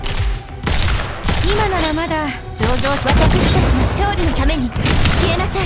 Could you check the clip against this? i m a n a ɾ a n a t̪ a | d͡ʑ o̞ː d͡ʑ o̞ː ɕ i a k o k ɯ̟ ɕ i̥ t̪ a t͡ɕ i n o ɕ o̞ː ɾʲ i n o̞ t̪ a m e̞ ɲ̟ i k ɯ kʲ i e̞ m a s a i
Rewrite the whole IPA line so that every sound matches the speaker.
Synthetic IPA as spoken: i m a n a ɾ a m a d̪ a | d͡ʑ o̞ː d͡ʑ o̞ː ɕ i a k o k ɯ̟ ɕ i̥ t̪ a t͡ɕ i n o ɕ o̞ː ɾʲ i n o̞ t̪ a m e̞ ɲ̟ i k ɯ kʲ i e̞ n a s a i

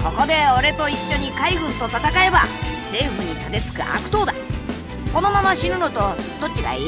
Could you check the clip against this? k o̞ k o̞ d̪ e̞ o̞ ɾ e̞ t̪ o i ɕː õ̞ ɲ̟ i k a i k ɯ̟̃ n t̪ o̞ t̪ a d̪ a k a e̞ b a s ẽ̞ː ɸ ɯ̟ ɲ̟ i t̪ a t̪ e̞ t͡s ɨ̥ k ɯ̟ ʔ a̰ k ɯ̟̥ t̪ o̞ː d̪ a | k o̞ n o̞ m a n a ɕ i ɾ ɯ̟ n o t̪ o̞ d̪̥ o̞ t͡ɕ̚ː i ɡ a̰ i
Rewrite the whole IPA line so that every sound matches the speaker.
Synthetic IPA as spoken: k o̞ k o̞ d̪ e̞ o̞ ɾ e̞ t̪ o i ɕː o̞ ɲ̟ i k a i ɡ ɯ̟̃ n t̪ o̞ t̪ a t̪ a k a e̞ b a s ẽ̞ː ɸ ɯ̟ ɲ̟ i t̪ a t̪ e̞ t͡s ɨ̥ k ɯ̟ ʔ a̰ k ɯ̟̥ t̪ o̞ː d̪ a | k o̞ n o̞ m a m a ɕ i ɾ ɯ̟ n o t̪ o̞ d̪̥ o̞ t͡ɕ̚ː i ɡ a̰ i

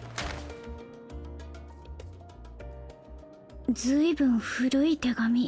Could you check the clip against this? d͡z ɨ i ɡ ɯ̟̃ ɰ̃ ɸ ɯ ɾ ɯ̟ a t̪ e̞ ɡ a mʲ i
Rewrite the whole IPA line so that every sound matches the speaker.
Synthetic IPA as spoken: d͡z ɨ i b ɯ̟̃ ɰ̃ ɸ ɯ ɾ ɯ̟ i t̪ e̞ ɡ a mʲ i

